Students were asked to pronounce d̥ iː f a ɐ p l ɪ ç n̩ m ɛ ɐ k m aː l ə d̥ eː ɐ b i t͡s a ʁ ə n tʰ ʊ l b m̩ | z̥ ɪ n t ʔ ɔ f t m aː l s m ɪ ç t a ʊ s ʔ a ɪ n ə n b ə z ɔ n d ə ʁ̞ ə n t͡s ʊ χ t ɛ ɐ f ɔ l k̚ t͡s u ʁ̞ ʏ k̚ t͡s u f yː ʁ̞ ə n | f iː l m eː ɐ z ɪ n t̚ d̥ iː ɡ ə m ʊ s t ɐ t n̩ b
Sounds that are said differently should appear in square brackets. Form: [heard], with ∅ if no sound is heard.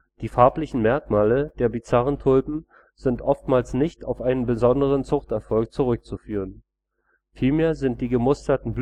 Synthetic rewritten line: d̥ iː f a ɐ p l ɪ ç n̩ m ɛ ɐ k m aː l ə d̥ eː ɐ b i t͡s a ʁ ə n tʰ ʊ l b m̩ | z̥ ɪ n t ʔ ɔ f t m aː l s [n] ɪ ç t a ʊ [f] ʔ a ɪ n ə n b ə z ɔ n d ə ʁ̞ ə n t͡s ʊ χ t ɛ ɐ f ɔ l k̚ t͡s u ʁ̞ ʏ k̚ t͡s u f yː ʁ̞ ə n | f iː l m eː ɐ z ɪ n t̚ d̥ iː ɡ ə m ʊ s t ɐ t n̩ b